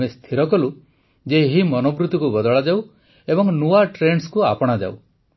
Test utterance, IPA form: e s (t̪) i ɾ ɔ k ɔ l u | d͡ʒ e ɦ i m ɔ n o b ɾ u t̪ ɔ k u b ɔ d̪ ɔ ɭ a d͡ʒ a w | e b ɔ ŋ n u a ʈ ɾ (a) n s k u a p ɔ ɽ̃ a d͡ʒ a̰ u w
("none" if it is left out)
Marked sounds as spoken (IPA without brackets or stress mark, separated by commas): t̪ʰ, e